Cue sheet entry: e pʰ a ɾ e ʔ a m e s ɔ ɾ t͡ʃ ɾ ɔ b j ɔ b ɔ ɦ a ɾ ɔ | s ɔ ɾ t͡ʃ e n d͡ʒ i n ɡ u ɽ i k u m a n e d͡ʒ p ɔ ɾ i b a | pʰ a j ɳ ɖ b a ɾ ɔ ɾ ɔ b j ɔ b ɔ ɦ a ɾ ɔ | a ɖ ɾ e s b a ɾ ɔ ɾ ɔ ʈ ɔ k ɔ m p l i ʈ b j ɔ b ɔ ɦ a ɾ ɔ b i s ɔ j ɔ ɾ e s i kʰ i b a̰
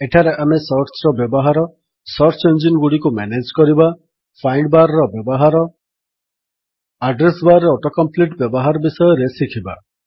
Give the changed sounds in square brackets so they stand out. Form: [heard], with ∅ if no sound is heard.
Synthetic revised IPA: e [ʈʰ] a ɾ e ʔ a m e s ɔ ɾ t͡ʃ ɾ ɔ b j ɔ b ɔ ɦ a ɾ ɔ | s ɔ ɾ t͡ʃ e n d͡ʒ i n ɡ u ɽ i k u m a n e d͡ʒ [k] ɔ ɾ i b a | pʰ a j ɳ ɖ b a ɾ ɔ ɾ ɔ b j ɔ b ɔ ɦ a ɾ ɔ | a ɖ ɾ e s b a ɾ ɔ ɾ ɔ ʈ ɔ k ɔ m p l i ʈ b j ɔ b ɔ ɦ a ɾ ɔ b i s ɔ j ɔ ɾ e s i kʰ i b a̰